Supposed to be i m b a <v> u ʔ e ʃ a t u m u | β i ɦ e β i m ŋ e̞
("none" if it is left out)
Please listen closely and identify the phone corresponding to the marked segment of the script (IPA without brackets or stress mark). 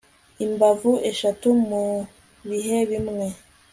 v